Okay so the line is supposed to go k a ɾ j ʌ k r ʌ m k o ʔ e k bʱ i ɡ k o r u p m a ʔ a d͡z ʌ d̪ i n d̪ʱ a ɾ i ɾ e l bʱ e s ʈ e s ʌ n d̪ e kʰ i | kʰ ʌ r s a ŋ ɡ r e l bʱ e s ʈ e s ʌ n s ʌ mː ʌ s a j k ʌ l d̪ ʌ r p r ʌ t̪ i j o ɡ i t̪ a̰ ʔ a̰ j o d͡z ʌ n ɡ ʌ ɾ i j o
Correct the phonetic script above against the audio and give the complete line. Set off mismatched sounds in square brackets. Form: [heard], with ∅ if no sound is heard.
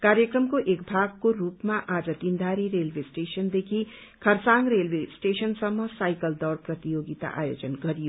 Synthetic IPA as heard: k a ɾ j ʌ k r ʌ m k o ʔ e k bʱ [a] ɡ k o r u p m a ʔ a d͡z ʌ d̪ i n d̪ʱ a ɾ i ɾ e l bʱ e s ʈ e s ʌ n d̪ e kʰ i | kʰ ʌ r s a ŋ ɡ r e l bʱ e s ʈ e s ʌ n s ʌ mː ʌ s a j k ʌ l d̪ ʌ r p r ʌ t̪ i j o ɡ i t̪ a̰ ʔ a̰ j o d͡z ʌ n ɡ ʌ ɾ i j o